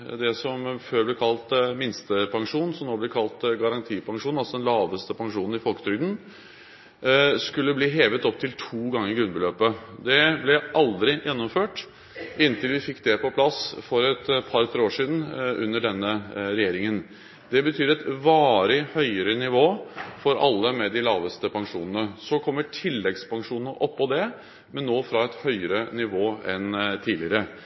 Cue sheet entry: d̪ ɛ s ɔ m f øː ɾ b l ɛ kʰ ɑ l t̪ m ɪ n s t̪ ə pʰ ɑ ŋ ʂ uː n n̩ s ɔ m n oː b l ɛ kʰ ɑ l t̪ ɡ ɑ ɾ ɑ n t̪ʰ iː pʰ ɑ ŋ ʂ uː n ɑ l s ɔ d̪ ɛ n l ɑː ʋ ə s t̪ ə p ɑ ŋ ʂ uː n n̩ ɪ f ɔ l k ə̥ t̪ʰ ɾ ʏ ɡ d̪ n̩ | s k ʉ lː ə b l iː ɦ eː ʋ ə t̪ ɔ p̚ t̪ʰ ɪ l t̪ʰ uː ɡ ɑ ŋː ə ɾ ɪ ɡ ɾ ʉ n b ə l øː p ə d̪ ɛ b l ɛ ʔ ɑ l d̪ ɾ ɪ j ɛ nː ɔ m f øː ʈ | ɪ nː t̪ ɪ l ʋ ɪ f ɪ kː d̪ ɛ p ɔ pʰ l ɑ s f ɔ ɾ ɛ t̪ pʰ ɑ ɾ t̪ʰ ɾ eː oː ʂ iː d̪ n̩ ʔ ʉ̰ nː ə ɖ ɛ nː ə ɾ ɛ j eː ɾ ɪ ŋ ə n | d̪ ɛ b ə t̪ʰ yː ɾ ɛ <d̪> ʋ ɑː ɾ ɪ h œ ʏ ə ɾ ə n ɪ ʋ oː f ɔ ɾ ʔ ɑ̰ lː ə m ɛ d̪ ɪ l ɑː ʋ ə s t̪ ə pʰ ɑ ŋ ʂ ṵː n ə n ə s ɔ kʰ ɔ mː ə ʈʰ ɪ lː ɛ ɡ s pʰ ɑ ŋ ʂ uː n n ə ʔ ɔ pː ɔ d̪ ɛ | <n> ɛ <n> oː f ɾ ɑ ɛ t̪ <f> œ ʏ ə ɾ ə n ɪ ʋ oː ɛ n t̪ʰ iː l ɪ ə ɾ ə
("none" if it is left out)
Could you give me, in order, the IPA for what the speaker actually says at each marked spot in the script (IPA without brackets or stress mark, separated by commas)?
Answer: t̪, m, nː, h